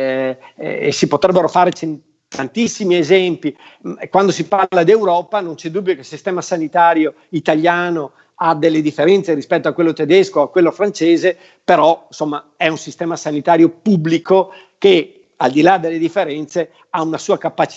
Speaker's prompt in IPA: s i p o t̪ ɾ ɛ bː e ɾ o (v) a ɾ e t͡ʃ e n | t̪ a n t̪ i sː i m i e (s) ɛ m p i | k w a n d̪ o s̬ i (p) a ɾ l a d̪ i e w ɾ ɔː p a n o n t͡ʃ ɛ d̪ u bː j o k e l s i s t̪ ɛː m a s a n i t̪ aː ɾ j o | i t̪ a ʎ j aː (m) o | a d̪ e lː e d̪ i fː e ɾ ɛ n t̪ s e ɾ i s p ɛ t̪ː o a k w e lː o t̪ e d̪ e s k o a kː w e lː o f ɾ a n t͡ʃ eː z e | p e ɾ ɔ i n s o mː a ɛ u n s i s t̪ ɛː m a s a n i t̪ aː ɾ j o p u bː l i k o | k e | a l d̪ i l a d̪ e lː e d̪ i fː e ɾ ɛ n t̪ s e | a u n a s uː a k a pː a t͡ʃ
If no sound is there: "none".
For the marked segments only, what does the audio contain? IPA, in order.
f, z, p, n

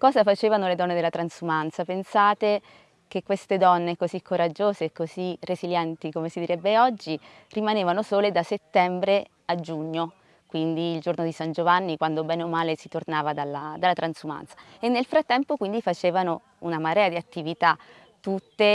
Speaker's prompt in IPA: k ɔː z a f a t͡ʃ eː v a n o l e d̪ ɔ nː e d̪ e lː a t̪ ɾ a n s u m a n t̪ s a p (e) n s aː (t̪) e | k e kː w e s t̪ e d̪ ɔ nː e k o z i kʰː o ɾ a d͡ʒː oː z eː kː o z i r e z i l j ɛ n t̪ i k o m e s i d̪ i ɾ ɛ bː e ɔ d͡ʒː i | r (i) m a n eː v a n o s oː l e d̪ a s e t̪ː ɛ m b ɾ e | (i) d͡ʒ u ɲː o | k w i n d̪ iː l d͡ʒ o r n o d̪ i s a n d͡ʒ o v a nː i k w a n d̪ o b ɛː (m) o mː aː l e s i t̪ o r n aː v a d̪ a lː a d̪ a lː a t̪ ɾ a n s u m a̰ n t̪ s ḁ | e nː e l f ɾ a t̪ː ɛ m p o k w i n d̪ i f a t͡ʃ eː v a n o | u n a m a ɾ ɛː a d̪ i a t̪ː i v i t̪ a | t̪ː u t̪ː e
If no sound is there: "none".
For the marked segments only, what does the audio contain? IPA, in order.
e, t̪, i, a, n

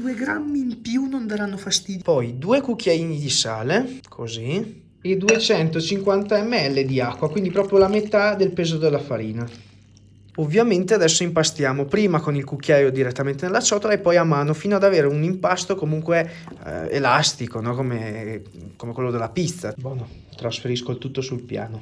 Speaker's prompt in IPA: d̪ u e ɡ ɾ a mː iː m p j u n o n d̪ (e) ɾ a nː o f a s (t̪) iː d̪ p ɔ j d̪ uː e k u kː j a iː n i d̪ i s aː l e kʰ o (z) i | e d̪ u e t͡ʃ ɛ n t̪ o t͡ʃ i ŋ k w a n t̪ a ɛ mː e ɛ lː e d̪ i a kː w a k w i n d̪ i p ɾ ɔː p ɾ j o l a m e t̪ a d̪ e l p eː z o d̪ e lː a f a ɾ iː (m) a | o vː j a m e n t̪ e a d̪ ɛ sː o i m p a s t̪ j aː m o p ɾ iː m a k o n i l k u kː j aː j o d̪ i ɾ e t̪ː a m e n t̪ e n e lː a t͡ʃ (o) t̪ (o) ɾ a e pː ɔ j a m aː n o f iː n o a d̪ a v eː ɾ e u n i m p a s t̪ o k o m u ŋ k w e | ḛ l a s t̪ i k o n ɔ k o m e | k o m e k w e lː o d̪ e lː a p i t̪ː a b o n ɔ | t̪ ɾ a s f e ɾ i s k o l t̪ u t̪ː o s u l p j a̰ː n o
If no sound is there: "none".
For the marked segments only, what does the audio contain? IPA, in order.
a, t̪, z, n, ɔ, o

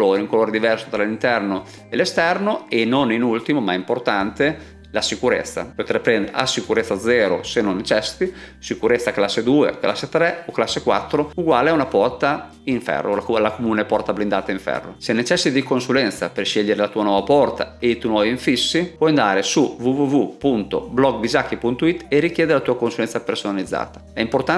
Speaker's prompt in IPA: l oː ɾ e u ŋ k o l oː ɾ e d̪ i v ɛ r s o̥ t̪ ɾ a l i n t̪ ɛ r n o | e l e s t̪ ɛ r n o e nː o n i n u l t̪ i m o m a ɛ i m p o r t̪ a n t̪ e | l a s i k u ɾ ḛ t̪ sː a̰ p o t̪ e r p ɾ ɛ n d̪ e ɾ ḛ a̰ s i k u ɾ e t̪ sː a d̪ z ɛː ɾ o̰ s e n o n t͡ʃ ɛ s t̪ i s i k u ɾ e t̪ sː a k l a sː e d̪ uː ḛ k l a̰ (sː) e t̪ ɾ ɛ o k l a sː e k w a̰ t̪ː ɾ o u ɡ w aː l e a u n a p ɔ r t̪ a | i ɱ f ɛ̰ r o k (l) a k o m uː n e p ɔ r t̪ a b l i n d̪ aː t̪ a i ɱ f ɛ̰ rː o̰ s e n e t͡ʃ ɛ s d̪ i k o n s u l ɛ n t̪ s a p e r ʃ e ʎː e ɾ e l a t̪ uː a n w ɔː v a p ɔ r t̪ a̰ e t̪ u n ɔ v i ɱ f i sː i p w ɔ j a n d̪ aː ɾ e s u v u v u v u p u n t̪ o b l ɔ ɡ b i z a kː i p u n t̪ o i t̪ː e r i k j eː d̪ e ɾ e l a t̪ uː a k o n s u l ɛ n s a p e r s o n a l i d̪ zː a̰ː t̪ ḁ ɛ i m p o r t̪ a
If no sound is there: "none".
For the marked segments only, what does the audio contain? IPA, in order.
sː, l

